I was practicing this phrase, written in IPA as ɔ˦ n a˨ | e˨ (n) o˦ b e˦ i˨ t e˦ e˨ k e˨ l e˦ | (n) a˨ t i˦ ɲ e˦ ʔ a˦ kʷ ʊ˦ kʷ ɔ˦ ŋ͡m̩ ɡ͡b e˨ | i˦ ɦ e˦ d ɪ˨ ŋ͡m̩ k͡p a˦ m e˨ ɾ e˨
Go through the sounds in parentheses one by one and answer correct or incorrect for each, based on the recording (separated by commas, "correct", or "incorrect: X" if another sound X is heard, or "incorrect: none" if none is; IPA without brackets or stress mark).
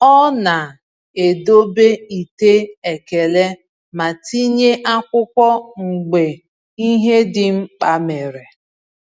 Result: incorrect: d, incorrect: m